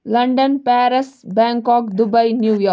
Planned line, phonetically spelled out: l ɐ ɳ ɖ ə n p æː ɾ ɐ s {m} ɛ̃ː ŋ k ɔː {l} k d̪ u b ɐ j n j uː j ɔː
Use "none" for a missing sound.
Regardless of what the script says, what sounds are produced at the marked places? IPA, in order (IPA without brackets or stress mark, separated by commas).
b, none